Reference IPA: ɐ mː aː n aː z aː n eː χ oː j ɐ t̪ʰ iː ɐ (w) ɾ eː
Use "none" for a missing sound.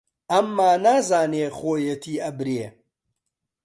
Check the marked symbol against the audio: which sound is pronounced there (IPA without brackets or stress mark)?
b